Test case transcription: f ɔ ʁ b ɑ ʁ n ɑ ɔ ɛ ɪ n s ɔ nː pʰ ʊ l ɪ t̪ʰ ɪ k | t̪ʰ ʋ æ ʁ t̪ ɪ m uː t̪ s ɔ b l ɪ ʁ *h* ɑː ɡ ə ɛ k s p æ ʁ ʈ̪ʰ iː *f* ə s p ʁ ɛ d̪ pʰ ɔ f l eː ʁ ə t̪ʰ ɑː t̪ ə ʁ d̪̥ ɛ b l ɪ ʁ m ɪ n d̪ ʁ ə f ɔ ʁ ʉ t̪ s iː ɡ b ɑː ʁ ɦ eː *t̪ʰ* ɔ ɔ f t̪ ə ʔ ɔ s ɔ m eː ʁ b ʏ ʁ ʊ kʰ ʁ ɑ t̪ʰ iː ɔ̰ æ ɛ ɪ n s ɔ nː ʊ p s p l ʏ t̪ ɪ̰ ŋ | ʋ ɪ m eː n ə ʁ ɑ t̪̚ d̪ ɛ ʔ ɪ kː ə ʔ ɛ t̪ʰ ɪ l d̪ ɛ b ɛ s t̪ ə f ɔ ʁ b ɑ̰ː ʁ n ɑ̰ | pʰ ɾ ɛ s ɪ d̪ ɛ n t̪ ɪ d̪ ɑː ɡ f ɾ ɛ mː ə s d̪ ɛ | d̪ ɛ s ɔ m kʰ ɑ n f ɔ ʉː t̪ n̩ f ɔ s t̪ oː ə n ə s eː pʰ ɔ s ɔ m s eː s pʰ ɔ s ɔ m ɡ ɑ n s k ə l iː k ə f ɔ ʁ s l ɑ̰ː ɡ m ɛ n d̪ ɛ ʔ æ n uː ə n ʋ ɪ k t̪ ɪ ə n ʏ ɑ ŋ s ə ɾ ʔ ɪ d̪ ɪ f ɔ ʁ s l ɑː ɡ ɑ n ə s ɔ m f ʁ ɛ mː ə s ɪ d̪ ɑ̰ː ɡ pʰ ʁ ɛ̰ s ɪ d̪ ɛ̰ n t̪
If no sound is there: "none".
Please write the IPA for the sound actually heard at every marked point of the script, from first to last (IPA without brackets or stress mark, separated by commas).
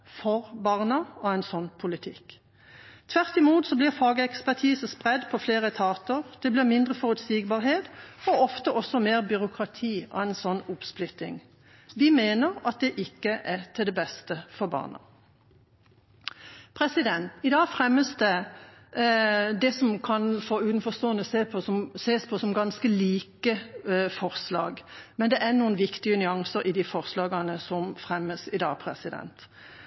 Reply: f, s, t̪